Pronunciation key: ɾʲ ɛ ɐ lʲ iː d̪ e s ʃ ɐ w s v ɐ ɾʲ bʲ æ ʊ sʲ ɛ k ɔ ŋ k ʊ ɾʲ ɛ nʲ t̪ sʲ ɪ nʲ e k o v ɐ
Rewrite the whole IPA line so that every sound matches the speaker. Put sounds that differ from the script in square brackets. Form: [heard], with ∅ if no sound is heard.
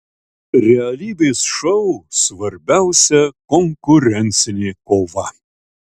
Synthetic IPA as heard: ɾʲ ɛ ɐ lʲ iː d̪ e s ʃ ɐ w s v ɐ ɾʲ bʲ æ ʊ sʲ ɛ k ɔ ŋ k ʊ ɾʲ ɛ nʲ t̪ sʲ ɪ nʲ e k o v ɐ